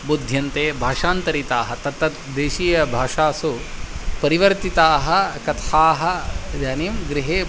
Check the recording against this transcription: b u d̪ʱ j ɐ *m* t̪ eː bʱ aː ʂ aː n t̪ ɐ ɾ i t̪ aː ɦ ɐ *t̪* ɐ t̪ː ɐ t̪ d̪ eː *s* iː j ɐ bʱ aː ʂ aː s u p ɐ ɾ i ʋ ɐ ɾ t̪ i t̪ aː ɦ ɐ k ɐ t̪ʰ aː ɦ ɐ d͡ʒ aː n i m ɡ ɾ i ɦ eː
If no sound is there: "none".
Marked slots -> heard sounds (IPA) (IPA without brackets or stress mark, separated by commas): n, t̪, ʃ